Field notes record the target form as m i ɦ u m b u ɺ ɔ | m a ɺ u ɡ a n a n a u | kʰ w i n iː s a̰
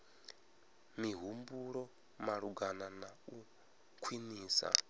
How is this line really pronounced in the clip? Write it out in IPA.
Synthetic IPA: m i ɦ u m b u ɺ ɔ | m a ɺ u ɡ a n a n a u | kʰ w i n iː s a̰

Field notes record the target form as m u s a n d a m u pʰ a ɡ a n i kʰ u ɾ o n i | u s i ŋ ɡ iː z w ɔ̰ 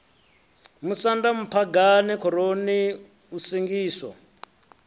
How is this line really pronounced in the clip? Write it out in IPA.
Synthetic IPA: m u s a n d a m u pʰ a ɡ a n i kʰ ɔ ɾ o n i | u s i ŋ ɡ iː s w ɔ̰

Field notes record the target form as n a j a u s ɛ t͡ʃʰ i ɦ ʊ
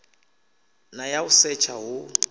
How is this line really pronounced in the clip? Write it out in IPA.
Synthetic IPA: n a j a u s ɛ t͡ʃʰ a ɦ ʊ

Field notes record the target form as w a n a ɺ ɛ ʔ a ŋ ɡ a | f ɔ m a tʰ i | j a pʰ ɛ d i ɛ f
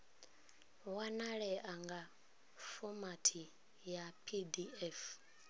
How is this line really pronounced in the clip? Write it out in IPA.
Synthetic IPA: w a n a ɺ ɛ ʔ a ŋ ɡ a | f ɔ m a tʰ i | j a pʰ i d i ɛ f

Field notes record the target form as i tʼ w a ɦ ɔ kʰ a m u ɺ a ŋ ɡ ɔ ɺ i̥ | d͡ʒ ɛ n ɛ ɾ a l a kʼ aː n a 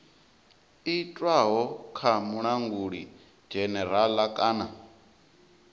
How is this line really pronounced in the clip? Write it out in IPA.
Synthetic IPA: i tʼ w a ɦ ɔ kʰ a m u ɺ a ŋ ɡ u ɺ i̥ | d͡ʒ ɛ n ɛ ɾ a l a kʼ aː n a

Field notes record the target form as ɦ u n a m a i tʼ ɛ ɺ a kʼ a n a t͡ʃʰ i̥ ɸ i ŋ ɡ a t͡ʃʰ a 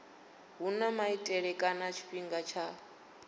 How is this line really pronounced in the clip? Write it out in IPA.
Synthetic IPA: ɦ u n a m a i tʼ ɛ ɺ ɛ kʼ a n a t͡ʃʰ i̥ ɸ i ŋ ɡ a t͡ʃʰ a

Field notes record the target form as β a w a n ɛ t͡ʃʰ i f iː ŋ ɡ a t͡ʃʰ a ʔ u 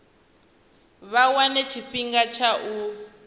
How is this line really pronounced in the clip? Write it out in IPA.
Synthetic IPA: β a w a n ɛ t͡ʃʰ i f i ŋ ɡ a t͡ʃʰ a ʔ u

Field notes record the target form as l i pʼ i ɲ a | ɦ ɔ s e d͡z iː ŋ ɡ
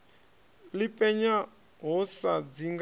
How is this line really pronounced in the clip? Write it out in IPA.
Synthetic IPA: l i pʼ ɛ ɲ a | ɦ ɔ s a d͡z i ŋ ɡ

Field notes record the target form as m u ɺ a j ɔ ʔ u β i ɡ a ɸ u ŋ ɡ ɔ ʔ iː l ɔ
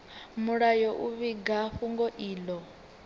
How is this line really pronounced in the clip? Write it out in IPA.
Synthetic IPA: m u ɺ a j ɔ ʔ u β i ɡ a ɸ u ŋ ɡ ɔ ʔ iː l ɔ

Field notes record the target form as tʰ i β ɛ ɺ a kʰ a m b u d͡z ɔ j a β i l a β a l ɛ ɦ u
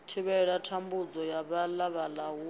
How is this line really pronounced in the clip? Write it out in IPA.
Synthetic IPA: tʰ i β ɛ ɺ a tʰ a m b u d͡z ɔ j a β a l a β a l a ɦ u

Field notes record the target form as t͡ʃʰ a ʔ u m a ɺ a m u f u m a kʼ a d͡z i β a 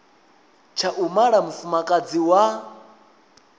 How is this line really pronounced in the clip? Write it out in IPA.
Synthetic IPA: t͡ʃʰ a ʔ u m a ɺ a m u f u m a kʼ a d͡z i w a

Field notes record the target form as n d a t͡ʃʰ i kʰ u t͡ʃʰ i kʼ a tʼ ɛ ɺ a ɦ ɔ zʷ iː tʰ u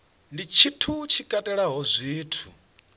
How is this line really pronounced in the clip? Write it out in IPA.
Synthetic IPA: n d i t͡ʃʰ i tʰ u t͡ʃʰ i kʼ a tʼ ɛ ɺ a ɦ ɔ zʷ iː tʰ u

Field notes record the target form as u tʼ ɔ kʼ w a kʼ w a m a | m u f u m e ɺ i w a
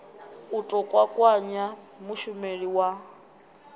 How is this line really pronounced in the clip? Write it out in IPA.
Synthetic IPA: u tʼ ɔ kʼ w a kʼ w a ɲ a | m u ʃ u m e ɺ i w a

